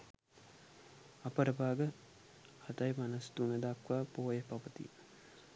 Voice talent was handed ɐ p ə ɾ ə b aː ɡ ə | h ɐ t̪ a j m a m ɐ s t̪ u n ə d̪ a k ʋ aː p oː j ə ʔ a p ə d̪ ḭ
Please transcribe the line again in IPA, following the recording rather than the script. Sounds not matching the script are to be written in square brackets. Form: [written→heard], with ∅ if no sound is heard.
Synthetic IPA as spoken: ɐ p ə ɾ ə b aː ɡ ə | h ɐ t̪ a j m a [m→n] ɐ s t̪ u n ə d̪ a k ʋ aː p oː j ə [ʔ→p] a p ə [d̪→t̪] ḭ

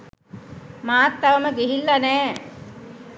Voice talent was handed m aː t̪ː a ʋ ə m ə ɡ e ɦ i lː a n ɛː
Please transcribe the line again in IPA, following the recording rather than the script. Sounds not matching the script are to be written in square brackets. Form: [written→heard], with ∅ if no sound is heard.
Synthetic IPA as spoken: m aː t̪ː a ʋ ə m ə ɡ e ɦ i lː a n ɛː

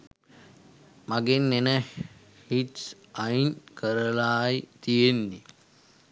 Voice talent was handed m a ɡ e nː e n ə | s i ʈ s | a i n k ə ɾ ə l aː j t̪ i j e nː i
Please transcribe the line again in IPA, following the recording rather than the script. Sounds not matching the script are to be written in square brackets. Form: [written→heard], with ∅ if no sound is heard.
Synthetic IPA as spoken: m a ɡ e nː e n ə | [s→h] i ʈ s | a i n k ə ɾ ə l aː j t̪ i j e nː i

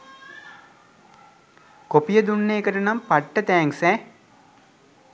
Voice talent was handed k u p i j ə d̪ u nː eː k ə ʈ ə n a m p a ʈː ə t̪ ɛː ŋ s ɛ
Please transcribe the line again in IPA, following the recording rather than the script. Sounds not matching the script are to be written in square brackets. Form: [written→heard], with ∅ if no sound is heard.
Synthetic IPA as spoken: k [u→o] p i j ə d̪ u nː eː k ə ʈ ə n a m p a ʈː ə t̪ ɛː ŋ s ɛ

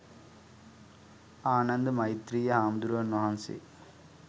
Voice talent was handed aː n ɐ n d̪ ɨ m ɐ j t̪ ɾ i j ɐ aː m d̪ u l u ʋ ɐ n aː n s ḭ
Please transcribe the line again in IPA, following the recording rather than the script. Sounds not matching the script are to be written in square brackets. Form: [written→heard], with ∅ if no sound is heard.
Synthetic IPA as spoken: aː n ɐ n d̪ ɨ m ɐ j t̪ ɾ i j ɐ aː m d̪ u [l→ɾ] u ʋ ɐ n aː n s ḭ

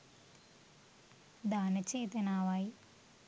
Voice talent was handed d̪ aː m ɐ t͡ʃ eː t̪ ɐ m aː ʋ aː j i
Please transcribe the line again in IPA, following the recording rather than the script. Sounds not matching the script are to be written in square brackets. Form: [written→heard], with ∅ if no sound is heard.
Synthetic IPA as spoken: d̪ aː [m→n] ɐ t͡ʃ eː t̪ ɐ [m→n] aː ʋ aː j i

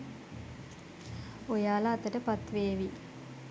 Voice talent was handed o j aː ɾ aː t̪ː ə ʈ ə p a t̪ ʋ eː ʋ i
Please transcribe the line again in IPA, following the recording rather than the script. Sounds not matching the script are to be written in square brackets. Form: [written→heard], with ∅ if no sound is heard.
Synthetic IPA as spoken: o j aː [ɾ→l] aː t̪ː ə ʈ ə p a t̪ ʋ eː ʋ i

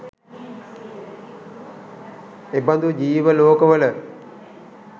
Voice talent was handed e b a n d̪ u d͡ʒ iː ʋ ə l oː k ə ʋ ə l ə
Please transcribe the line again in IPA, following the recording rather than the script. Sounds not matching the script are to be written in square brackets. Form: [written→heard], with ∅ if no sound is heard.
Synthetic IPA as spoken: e b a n d̪ u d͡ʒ iː ʋ ə l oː k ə ʋ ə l ə

